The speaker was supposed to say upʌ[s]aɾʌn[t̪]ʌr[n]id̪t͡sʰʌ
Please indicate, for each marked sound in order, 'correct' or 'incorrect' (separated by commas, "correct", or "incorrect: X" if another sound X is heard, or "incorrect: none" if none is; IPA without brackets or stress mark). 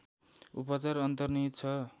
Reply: incorrect: t͡s, correct, correct